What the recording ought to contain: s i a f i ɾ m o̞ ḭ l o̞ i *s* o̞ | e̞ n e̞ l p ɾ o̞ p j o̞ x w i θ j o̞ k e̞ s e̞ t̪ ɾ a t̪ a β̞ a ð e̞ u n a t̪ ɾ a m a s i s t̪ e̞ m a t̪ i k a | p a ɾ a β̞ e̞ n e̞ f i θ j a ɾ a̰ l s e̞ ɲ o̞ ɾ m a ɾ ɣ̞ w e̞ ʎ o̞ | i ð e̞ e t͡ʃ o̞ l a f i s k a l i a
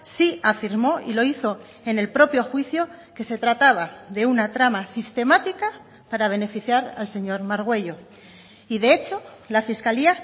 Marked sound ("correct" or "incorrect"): incorrect